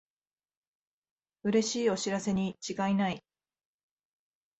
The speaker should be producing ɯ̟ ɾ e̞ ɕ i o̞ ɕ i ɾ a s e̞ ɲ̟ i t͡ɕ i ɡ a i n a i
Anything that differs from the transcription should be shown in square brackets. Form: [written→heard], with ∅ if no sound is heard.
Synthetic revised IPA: ɯ̟ ɾ e̞ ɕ [i→iː] o̞ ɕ i ɾ a s e̞ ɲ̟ i t͡ɕ i ɡ a i n a i